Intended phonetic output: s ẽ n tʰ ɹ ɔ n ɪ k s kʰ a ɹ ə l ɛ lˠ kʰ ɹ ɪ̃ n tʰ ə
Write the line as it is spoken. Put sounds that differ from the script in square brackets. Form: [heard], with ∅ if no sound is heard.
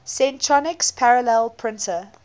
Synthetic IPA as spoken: s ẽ n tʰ ɹ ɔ n ɪ k s [pʰ] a ɹ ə l ɛ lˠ [pʰ] ɹ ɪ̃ n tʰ ə